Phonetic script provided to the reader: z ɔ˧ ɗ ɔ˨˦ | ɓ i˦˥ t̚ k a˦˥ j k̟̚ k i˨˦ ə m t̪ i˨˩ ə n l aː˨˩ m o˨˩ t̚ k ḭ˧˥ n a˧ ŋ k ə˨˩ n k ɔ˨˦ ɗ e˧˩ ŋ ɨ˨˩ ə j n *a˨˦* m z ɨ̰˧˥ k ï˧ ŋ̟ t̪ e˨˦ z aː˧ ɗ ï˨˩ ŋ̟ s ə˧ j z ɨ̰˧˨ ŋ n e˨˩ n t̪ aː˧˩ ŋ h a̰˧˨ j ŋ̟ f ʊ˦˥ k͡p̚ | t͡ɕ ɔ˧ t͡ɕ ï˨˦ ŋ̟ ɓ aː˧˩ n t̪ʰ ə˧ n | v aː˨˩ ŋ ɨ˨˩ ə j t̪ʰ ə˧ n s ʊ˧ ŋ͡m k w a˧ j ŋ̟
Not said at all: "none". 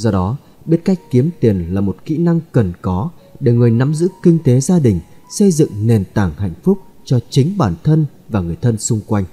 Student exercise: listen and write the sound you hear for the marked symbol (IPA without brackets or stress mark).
a˨˦